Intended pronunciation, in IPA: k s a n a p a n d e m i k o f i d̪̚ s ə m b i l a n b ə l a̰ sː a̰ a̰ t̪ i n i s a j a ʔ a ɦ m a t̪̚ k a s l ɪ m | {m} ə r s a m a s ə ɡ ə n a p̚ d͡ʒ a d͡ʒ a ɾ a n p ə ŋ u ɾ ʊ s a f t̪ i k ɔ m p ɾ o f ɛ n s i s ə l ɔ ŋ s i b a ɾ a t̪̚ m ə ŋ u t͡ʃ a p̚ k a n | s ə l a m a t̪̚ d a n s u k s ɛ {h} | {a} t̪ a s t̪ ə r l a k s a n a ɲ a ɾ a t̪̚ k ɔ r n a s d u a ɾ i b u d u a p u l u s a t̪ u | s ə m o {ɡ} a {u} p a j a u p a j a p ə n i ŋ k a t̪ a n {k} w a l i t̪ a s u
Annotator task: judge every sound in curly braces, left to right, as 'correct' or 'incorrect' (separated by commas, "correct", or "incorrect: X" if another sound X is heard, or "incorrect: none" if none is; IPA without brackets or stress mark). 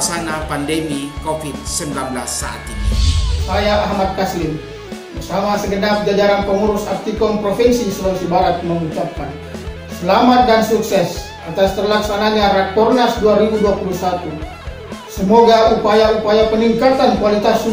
incorrect: b, incorrect: s, correct, correct, correct, correct